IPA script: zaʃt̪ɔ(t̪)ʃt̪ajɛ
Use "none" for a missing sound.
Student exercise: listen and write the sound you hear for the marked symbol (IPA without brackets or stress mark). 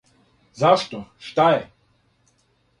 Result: none